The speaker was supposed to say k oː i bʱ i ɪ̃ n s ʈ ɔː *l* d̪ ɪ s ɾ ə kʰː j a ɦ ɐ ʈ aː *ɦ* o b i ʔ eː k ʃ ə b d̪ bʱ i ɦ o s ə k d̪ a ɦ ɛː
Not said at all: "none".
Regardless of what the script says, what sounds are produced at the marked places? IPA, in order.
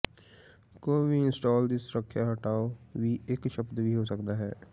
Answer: l, none

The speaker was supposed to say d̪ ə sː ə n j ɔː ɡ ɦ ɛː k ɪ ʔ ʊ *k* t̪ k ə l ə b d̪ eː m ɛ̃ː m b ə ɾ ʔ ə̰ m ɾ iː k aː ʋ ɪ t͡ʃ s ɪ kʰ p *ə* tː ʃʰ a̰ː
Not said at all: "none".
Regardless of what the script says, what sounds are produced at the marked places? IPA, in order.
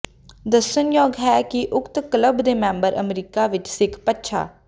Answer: k, ə

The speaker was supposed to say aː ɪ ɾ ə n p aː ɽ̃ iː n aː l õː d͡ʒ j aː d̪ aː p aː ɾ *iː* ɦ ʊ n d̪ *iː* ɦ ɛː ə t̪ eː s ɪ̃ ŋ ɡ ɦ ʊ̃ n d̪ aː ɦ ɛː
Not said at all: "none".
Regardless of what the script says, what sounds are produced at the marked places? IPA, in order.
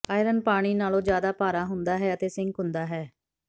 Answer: aː, aː

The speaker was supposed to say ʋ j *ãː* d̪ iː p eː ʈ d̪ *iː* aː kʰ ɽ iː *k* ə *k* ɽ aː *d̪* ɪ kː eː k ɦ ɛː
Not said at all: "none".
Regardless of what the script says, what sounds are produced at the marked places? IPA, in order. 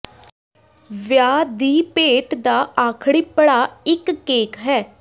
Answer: aː, aː, p, none, none

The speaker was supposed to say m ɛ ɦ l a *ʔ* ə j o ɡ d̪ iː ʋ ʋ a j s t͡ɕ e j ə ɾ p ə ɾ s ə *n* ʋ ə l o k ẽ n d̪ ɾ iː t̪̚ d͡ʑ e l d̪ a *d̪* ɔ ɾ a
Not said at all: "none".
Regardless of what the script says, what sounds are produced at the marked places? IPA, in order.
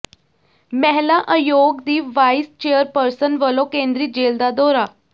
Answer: ʔ, n, d̪

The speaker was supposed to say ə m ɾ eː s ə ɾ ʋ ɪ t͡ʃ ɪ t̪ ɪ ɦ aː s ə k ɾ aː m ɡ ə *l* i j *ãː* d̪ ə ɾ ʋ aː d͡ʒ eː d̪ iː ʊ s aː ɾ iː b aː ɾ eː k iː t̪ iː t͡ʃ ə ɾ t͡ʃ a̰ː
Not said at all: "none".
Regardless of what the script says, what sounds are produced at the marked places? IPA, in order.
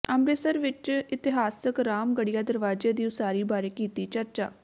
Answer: ɽ, aː

